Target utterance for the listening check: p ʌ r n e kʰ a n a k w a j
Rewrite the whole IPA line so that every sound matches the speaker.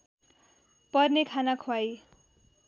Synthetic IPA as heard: p ʌ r n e kʰ a n a kʰ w a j